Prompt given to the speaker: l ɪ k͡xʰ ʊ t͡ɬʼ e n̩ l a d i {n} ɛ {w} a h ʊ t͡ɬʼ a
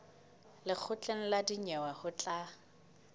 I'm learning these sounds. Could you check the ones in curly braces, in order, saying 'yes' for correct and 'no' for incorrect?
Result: no, yes

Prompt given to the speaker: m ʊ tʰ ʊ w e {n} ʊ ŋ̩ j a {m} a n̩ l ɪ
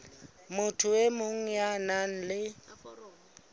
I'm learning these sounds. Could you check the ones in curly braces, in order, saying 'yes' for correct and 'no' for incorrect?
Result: no, no

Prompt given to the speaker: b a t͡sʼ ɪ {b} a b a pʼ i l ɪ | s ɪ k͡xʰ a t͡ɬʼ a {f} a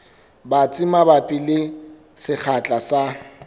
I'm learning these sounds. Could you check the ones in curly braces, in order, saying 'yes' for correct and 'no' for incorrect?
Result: no, no

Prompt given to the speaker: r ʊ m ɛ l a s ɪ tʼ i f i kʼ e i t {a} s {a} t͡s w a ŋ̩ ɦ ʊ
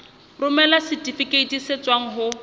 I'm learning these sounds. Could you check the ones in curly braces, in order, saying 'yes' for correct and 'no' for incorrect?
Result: no, no

